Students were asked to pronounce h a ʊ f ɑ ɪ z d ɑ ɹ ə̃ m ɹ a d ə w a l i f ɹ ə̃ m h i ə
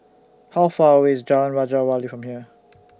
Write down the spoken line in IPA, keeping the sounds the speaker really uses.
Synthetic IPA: h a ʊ f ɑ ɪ z d͡ʒ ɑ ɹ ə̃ n ɹ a d͡ʒ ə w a l i f ɹ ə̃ m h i ə